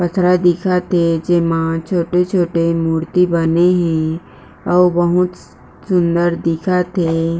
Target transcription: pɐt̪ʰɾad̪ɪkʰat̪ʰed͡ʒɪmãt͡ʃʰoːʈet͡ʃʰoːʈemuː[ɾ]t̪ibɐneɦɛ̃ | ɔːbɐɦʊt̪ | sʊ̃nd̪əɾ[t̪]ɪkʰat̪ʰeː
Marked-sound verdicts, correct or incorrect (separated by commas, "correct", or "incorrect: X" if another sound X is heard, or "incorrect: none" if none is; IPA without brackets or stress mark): correct, incorrect: d̪